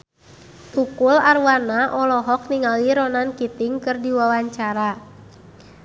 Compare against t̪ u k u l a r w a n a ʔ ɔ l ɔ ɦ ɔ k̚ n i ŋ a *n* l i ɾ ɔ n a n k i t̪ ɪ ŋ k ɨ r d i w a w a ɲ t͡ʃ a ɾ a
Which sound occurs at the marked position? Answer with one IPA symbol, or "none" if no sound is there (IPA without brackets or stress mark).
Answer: none